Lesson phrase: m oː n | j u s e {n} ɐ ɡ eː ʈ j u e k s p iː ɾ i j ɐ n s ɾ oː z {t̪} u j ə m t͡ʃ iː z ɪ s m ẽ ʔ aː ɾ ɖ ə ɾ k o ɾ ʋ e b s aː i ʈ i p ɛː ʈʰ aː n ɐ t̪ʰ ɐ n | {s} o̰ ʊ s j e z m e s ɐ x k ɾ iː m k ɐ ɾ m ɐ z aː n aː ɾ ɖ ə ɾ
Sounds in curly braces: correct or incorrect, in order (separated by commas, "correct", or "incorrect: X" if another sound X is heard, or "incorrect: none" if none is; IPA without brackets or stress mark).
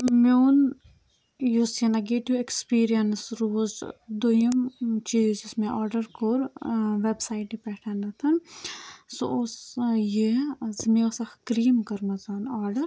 correct, incorrect: d̪, correct